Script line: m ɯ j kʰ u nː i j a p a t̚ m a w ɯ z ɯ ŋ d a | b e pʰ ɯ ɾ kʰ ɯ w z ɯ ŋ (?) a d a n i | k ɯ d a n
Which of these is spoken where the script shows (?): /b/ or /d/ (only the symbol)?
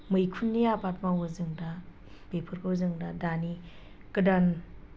d